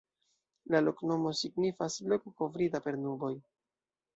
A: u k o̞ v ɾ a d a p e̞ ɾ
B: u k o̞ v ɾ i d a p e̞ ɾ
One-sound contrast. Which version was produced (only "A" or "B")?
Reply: B